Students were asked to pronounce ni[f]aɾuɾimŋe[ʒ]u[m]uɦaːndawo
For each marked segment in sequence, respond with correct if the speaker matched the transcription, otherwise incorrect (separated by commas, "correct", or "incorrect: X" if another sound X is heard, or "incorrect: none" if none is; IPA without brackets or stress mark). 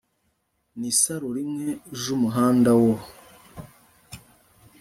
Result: incorrect: s, correct, correct